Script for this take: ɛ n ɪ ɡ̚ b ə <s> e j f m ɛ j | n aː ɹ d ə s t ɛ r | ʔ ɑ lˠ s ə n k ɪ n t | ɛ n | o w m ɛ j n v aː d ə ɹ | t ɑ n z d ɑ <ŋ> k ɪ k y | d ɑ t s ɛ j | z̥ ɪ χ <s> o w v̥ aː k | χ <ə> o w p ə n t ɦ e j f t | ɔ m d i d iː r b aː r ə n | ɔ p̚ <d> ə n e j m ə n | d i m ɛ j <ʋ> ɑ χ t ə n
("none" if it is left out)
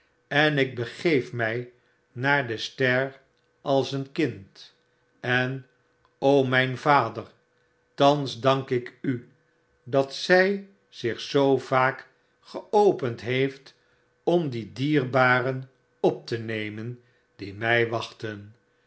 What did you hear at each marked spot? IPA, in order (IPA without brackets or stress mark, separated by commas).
χ, ŋ, s, ə, t, ʋ